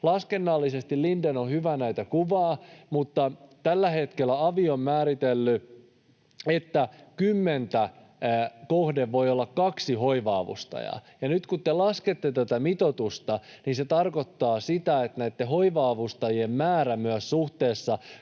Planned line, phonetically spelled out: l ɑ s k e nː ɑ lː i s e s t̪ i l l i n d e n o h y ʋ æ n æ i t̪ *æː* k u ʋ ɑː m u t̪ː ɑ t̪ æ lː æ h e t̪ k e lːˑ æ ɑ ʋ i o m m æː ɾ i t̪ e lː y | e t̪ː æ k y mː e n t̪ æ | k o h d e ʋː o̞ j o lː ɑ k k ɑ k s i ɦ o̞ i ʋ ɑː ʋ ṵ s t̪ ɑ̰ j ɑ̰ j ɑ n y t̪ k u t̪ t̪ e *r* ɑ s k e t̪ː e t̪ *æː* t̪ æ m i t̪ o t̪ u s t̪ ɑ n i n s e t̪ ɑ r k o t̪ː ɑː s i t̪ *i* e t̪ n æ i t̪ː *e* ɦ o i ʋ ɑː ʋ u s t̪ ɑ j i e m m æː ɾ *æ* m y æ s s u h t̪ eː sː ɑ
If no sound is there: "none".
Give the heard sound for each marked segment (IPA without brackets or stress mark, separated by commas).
æ, l, æ, æ, e, æ